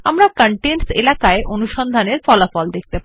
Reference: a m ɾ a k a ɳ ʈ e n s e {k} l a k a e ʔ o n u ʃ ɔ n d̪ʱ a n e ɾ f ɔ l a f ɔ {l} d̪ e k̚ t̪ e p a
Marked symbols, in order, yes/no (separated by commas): no, yes